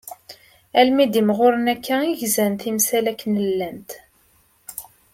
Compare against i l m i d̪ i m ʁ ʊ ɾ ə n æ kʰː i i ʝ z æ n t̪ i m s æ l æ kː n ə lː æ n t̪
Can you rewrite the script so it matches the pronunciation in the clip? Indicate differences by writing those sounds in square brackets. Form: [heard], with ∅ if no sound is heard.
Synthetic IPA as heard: [æ] l m i d̪ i m ʁ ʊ ɾ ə n æ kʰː [æ] i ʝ z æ n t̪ i m s æ l æ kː n ə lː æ n t̪

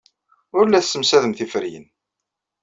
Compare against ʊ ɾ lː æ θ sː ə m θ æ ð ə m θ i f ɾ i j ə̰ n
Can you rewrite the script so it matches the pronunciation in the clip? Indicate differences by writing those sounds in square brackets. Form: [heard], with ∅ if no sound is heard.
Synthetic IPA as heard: ʊ ɾ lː æ θ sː ə m [s] æ ð ə m θ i f ɾ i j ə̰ n

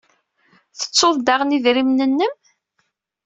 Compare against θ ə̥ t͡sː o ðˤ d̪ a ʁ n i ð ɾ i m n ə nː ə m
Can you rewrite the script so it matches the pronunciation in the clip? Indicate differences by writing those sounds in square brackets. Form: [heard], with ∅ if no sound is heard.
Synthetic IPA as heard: θ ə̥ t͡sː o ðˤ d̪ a ʁ n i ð ɾ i m n ə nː ə m

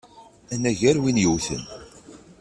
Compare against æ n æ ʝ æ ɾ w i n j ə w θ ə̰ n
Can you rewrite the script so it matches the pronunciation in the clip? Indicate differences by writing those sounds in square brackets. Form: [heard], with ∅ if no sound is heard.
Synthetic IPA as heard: æ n æ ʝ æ ɾ w i n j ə w θ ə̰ n

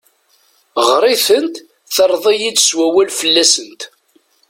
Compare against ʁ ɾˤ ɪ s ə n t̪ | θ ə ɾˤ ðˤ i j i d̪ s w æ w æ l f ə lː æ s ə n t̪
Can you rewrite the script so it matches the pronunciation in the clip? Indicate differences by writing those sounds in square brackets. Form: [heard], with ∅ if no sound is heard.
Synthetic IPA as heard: ʁ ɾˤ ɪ [θ] ə n t̪ | θ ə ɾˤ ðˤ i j i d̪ s w æ w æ l f ə lː æ s ə n t̪

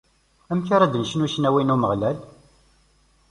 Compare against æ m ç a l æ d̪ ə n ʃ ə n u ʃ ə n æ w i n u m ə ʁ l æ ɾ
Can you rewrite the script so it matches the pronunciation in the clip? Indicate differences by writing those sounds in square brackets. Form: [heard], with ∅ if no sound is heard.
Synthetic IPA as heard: æ m ç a [ɾ] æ d̪ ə n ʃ ə n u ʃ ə n æ w i n u m ə ʁ l æ [l]

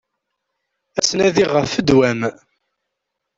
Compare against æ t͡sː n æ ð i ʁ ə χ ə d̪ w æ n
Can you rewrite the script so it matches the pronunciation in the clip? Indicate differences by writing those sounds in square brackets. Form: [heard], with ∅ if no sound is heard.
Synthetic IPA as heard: æ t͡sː n æ ð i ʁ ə [f] ə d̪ w æ [m]

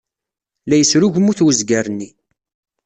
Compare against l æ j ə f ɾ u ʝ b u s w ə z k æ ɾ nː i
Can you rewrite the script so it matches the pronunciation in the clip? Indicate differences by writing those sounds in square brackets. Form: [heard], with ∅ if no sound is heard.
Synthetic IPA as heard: l æ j ə [s] ɾ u ʝ [m] u [θ] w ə z [ɡ] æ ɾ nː i

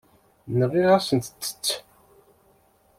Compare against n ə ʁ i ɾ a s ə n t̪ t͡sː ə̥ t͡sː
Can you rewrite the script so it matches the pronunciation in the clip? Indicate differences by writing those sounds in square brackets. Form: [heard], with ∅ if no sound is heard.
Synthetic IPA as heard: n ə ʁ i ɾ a s ə n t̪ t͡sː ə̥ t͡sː

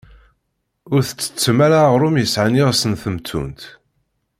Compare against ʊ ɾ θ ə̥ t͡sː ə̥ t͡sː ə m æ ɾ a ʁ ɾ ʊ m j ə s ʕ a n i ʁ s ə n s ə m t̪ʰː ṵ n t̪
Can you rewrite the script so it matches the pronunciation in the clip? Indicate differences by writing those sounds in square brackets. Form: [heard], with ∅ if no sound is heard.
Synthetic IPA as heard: ʊ ɾ θ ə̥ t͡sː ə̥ t͡sː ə m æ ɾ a ʁ ɾ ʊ m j ə s ʕ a n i ʁ s ə n [θ] ə m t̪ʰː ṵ n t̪

